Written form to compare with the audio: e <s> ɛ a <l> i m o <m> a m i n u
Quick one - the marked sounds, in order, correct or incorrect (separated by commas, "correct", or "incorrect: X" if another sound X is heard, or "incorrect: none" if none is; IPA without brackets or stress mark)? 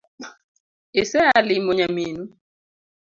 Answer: correct, correct, incorrect: ɲ